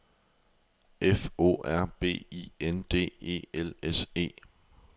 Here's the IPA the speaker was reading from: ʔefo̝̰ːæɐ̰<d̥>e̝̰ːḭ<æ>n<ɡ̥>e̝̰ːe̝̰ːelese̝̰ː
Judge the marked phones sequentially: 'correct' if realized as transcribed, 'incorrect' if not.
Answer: incorrect: b̥, incorrect: e, incorrect: d̥

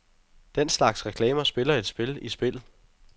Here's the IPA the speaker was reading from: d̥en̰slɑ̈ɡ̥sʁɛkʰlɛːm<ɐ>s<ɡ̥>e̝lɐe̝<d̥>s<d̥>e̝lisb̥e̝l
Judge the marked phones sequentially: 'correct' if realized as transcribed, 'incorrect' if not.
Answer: correct, incorrect: b̥, correct, incorrect: b̥

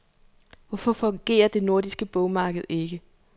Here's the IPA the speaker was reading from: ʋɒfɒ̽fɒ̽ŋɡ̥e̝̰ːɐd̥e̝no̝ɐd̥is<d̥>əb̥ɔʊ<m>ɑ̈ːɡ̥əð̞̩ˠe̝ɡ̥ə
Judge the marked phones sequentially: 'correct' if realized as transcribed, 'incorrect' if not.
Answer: incorrect: ɡ̥, correct

